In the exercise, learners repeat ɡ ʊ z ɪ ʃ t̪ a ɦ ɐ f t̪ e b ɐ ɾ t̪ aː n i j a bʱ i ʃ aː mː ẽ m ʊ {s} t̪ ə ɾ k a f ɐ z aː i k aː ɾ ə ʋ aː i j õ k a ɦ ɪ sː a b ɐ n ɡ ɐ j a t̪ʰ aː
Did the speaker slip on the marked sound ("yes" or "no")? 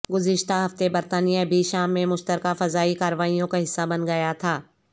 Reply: yes